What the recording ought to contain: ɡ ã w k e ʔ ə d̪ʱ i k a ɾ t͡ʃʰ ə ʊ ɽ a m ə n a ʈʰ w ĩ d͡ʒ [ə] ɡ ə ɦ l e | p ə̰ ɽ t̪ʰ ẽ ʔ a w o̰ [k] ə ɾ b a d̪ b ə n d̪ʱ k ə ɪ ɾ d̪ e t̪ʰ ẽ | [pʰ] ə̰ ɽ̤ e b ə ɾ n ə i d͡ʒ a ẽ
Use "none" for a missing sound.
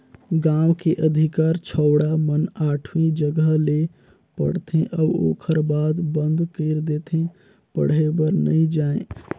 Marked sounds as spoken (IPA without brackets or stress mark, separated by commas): ə, kʰ, p